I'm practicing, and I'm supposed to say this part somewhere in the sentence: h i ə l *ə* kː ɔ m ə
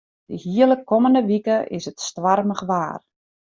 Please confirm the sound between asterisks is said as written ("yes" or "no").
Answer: yes